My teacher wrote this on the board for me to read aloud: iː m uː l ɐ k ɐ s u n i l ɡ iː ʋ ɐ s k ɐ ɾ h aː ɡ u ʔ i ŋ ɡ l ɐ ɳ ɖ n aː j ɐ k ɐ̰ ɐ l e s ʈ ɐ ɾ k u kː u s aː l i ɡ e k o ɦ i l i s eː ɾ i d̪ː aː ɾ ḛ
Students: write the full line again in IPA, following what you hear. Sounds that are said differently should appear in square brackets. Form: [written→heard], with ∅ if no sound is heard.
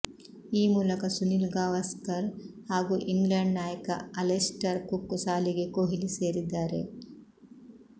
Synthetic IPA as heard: iː m uː l ɐ k ɐ s u n i l ɡ [iː→aː] ʋ ɐ s k ɐ ɾ h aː ɡ u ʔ i ŋ ɡ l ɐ ɳ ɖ n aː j ɐ k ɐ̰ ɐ l e s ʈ ɐ ɾ k u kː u s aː l i ɡ e k o ɦ i l i s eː ɾ i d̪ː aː ɾ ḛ

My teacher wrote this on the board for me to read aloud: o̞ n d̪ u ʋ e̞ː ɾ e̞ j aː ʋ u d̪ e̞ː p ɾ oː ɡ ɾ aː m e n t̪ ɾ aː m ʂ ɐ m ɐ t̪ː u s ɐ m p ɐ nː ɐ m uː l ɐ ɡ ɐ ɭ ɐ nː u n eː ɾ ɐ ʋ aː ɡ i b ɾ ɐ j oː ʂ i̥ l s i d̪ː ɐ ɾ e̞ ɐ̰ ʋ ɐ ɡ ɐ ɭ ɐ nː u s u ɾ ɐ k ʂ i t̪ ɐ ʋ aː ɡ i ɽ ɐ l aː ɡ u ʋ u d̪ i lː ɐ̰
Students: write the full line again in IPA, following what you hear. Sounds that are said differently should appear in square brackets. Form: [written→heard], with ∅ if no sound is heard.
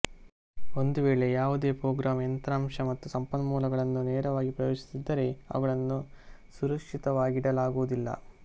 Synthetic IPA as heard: o̞ n d̪ u ʋ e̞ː [ɾ→ɭ] e̞ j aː ʋ u d̪ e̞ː p ɾ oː ɡ ɾ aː m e n t̪ ɾ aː m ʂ ɐ m ɐ t̪ː u s ɐ m p ɐ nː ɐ m uː l ɐ ɡ ɐ ɭ ɐ nː u n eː ɾ ɐ ʋ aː ɡ i [b→p] ɾ ɐ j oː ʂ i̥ [l→∅] s i d̪ː ɐ ɾ e̞ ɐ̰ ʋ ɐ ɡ ɐ ɭ ɐ nː u s u ɾ ɐ k ʂ i t̪ ɐ ʋ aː ɡ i ɽ ɐ l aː ɡ u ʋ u d̪ i lː ɐ̰

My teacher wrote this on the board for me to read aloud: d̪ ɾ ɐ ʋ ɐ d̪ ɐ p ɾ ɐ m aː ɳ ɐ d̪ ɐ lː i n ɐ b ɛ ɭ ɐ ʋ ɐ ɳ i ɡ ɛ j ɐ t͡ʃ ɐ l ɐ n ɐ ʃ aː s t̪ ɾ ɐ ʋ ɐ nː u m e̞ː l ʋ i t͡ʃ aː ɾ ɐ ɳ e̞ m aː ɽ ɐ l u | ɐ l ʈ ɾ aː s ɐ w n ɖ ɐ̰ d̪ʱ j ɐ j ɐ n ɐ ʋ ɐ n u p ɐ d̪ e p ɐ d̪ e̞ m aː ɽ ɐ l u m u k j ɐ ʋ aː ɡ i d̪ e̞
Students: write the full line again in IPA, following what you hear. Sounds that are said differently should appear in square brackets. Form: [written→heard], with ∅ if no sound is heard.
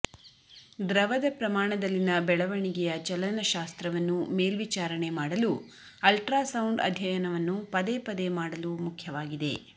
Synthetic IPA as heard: d̪ ɾ ɐ ʋ ɐ d̪ ɐ p ɾ ɐ m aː ɳ ɐ d̪ ɐ lː i n ɐ b ɛ ɭ ɐ ʋ ɐ ɳ i ɡ ɛ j ɐ t͡ʃ ɐ l ɐ n ɐ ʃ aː s t̪ ɾ ɐ ʋ ɐ nː u m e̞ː l ʋ i t͡ʃ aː ɾ ɐ ɳ e̞ m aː ɽ ɐ l u | ɐ l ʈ ɾ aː s ɐ w [n→ɳ] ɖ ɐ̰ d̪ʱ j ɐ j ɐ n ɐ ʋ ɐ [n→nː] u p ɐ d̪ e p ɐ d̪ e̞ m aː ɽ ɐ l u m u [k→kʰ] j ɐ ʋ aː ɡ i d̪ e̞

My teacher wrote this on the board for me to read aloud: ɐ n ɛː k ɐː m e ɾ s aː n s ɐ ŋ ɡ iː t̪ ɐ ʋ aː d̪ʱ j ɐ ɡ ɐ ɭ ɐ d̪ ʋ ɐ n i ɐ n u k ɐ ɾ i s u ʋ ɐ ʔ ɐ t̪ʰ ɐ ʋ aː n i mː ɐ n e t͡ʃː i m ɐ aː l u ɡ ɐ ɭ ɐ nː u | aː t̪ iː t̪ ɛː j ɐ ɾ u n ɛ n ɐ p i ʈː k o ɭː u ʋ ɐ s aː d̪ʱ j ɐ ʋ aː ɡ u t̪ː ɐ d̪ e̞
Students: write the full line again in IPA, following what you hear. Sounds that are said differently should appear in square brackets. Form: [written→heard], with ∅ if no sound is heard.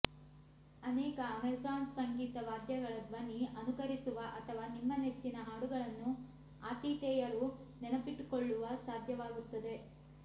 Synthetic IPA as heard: ɐ n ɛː k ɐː m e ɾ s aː n s ɐ ŋ ɡ iː t̪ ɐ ʋ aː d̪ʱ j ɐ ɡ ɐ ɭ ɐ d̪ ʋ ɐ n i ɐ n u k ɐ ɾ i s u ʋ ɐ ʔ ɐ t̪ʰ ɐ ʋ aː n i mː ɐ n e t͡ʃː i [m→n] ɐ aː [l→ɽ] u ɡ ɐ ɭ ɐ nː u | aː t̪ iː t̪ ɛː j ɐ ɾ u n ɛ n ɐ p i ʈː k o ɭː u ʋ ɐ s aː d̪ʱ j ɐ ʋ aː ɡ u t̪ː ɐ d̪ e̞

